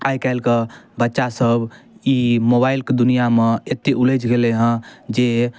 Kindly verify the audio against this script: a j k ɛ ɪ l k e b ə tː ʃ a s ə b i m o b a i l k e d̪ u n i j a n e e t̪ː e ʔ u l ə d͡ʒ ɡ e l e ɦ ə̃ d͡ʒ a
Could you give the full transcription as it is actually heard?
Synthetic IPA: a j k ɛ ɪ l k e b ə tː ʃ a s ə b i m o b a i l k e d̪ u n i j a m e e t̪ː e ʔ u l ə d͡ʒ ɡ e l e ɦ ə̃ d͡ʒ e